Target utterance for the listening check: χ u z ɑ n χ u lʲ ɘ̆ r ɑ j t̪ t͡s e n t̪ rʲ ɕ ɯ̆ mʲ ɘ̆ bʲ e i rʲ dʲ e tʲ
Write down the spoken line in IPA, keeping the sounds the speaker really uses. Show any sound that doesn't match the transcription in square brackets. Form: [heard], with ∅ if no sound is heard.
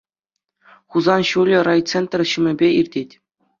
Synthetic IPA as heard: χ u z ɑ n [ɕ] u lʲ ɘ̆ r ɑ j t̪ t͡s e n t̪ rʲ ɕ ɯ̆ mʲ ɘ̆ bʲ e i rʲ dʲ e tʲ